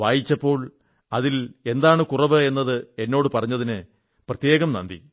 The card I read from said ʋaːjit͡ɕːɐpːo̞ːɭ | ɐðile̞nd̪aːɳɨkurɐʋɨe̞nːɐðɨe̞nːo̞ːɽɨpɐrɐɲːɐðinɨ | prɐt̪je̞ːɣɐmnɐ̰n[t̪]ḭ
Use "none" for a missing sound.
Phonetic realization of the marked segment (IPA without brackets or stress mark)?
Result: d̪